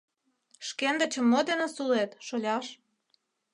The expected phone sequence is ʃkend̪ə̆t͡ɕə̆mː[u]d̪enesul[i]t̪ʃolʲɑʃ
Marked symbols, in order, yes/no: no, no

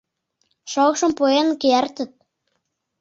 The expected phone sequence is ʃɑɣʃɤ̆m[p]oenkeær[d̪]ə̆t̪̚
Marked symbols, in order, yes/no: yes, no

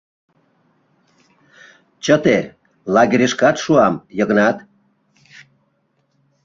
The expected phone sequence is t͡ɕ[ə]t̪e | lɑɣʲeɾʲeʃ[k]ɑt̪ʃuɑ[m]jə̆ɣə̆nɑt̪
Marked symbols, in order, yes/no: yes, yes, yes

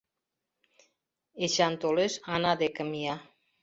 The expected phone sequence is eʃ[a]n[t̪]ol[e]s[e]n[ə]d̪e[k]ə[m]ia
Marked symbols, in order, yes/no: yes, yes, yes, no, no, yes, yes

